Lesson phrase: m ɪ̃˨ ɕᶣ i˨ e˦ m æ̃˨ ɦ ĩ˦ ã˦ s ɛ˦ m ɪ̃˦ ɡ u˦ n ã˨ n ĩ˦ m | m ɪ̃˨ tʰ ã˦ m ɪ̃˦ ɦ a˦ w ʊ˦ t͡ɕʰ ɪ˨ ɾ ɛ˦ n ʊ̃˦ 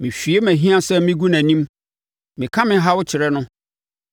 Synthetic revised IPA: m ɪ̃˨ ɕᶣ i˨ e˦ m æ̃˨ ɦ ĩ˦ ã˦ s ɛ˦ m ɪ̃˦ ɡ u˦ n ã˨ n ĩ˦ m | m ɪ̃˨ kʰ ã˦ m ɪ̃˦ ɦ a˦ w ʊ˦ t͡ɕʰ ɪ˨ ɾ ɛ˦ n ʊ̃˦